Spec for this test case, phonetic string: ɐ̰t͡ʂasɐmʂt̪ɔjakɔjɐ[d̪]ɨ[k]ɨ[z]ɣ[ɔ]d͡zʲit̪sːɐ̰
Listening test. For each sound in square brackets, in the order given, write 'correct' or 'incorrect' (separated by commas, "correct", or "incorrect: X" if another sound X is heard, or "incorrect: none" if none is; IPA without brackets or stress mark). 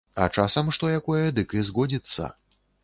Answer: correct, correct, correct, correct